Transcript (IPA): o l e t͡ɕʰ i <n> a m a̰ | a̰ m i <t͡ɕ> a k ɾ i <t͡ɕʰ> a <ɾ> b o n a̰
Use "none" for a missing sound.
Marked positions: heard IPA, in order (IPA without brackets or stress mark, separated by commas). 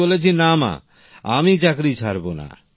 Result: n, t͡ɕ, t͡ɕʰ, ɾ